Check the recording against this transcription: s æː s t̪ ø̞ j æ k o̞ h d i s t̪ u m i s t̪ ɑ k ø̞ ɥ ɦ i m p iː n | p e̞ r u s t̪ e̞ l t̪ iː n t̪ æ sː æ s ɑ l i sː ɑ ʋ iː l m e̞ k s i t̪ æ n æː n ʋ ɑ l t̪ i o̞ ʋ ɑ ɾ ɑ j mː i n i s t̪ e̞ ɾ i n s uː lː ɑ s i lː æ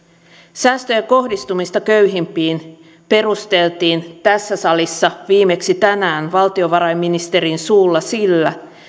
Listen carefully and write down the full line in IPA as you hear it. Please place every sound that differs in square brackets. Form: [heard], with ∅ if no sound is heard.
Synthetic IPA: s æː s t̪ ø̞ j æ k o̞ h d i s t̪ u m i s t̪ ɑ k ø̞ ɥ ɦ i m p iː n | p e̞ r u s t̪ e̞ l t̪ iː n t̪ æ sː æ s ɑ l i sː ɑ ʋ iː [∅] m e̞ k s i t̪ æ n æː n ʋ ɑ l t̪ i o̞ ʋ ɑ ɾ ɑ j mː i n i s t̪ e̞ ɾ i n s uː lː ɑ s i lː æ